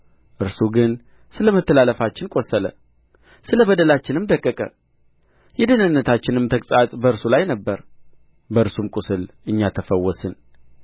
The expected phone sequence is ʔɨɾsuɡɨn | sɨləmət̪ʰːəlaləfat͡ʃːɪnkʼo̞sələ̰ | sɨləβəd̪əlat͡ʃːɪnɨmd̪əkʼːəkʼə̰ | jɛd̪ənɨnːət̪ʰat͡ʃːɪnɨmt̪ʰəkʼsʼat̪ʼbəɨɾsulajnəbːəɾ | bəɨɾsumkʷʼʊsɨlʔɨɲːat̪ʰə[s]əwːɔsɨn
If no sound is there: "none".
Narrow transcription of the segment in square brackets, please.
f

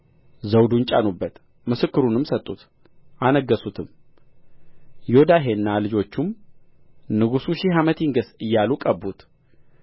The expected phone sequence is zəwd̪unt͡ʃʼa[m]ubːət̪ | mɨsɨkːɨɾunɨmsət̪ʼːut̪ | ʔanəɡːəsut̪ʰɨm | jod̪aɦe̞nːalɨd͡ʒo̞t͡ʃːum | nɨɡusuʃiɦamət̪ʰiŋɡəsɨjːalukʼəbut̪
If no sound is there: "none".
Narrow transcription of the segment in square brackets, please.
n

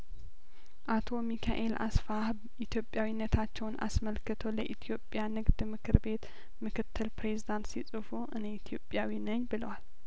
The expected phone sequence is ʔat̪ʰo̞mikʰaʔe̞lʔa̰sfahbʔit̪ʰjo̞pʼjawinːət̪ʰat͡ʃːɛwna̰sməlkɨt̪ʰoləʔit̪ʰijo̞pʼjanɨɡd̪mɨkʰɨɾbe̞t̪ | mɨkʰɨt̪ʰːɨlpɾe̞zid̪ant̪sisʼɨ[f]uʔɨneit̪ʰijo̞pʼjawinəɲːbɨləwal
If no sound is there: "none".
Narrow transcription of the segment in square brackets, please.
f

